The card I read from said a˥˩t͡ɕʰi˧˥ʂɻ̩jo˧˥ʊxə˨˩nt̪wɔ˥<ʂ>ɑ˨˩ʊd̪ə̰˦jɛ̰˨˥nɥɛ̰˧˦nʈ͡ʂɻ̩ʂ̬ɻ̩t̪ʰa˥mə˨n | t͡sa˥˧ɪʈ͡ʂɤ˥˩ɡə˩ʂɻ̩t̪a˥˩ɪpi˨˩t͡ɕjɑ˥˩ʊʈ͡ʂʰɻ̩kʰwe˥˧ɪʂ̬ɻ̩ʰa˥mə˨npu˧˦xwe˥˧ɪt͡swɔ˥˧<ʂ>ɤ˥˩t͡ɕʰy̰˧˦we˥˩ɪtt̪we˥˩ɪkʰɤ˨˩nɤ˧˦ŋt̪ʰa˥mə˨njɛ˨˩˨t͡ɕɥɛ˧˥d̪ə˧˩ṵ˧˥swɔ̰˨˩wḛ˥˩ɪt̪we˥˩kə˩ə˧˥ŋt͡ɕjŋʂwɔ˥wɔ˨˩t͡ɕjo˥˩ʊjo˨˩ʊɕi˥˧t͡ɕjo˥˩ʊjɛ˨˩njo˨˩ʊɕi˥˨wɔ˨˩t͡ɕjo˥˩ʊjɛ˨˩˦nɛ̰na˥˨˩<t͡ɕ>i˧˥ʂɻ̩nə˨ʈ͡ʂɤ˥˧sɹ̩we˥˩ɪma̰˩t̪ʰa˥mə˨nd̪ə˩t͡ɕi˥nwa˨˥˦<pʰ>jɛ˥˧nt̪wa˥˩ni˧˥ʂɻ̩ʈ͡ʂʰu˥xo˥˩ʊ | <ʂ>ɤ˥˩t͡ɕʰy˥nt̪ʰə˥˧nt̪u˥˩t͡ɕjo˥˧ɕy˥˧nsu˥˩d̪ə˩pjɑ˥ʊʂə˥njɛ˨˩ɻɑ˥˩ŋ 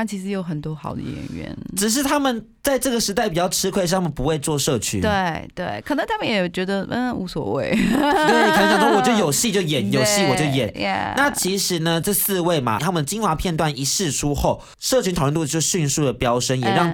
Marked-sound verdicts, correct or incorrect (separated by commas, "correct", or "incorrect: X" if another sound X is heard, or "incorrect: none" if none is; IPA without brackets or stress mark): incorrect: x, correct, incorrect: t͡ɕʰ, correct, correct